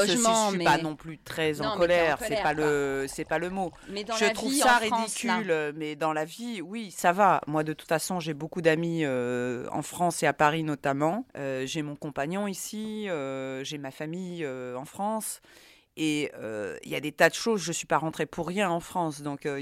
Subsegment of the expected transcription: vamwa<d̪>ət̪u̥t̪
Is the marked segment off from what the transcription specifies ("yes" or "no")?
no